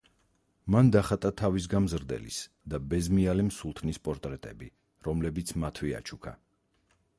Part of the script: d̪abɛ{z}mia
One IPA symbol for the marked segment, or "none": z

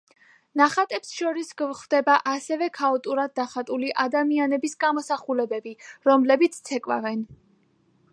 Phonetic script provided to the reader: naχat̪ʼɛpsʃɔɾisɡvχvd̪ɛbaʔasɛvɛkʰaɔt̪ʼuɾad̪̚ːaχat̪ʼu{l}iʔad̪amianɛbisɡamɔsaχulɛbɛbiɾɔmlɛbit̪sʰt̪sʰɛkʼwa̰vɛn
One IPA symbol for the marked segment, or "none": l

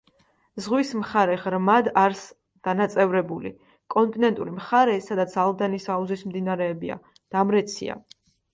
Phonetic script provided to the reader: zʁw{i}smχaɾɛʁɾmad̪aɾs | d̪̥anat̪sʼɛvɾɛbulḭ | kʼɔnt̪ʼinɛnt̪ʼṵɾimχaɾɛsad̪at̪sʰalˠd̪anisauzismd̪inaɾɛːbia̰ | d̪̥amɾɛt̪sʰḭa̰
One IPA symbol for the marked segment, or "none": i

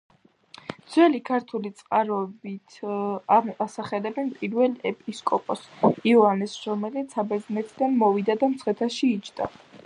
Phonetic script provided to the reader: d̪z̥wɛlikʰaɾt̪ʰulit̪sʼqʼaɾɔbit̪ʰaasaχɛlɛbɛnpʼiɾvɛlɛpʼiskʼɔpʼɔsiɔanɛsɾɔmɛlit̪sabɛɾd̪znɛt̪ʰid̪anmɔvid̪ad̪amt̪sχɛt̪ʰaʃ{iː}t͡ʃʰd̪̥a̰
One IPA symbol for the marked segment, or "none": iː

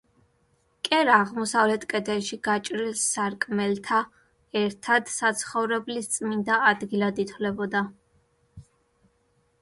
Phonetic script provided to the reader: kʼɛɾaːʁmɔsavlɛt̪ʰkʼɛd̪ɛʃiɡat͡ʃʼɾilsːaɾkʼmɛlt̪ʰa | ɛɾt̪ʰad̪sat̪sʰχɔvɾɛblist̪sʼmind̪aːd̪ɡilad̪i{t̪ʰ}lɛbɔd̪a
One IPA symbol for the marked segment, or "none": t̪ʰ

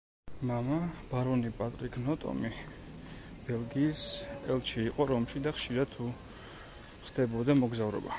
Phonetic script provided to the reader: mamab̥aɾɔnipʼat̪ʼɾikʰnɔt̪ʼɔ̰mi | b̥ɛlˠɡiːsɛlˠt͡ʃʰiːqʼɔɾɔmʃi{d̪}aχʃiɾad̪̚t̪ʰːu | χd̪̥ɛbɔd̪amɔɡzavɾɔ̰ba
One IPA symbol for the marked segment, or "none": d̪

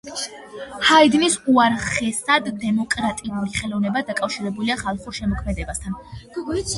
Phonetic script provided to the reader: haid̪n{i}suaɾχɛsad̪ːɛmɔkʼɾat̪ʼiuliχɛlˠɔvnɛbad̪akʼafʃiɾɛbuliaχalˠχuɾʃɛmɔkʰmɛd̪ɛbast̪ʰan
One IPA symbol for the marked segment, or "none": i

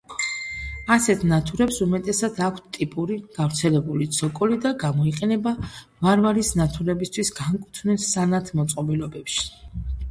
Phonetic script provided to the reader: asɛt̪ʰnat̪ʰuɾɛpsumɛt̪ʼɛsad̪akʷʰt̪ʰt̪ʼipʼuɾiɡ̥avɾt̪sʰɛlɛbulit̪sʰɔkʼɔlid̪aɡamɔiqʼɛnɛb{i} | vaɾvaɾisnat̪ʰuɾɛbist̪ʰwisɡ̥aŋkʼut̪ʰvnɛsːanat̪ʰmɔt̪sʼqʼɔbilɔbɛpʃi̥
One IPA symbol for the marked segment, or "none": a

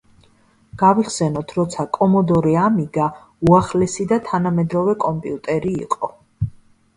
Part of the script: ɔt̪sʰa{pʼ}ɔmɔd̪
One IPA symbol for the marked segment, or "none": kʼ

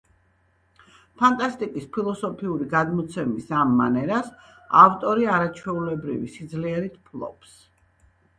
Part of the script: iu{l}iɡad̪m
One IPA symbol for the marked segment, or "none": ɾ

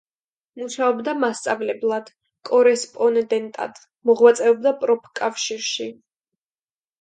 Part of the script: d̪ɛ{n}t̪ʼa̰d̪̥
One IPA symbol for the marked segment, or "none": n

